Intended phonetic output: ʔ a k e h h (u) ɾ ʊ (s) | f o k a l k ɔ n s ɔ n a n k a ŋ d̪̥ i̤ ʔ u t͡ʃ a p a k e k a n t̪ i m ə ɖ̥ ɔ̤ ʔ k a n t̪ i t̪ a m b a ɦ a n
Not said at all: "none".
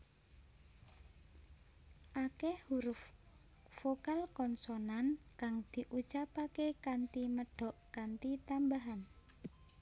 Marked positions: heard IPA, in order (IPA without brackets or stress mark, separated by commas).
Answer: u, f